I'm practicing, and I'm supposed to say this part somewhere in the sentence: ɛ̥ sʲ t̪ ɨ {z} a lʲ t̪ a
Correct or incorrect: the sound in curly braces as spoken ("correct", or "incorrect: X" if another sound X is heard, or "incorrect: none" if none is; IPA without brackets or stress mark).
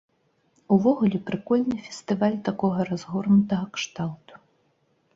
incorrect: v